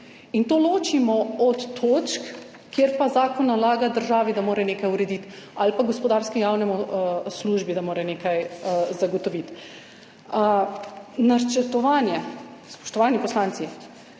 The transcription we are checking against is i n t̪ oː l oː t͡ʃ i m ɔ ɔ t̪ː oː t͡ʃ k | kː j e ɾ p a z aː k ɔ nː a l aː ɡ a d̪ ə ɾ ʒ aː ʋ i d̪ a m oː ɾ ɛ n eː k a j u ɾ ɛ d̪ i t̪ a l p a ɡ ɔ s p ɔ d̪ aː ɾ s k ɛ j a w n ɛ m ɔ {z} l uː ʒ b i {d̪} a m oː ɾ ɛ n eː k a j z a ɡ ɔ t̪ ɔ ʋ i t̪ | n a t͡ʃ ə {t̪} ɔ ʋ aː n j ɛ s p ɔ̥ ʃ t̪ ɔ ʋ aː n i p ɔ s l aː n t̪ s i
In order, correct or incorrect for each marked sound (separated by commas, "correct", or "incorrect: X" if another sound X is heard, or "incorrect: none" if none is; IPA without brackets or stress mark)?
incorrect: s, correct, correct